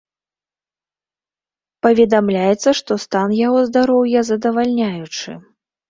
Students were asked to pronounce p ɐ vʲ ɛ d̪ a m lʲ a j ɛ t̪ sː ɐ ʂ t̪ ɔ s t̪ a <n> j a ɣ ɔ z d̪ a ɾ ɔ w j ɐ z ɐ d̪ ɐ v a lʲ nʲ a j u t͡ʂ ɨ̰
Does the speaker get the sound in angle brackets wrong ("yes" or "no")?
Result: no